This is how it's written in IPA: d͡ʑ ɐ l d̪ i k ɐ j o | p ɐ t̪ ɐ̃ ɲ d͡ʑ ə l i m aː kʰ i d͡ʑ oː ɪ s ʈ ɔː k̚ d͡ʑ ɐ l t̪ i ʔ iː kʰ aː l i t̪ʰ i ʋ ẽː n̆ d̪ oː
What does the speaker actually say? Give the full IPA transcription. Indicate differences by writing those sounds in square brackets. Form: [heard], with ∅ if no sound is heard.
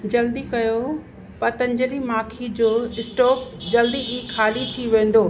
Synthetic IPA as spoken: d͡ʑ ɐ l d̪ i k ɐ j o | p ɐ t̪ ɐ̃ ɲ d͡ʑ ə l i m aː kʰ i d͡ʑ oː ɪ s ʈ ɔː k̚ d͡ʑ ɐ l [d̪] i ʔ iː kʰ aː l i t̪ʰ i ʋ ẽː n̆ d̪ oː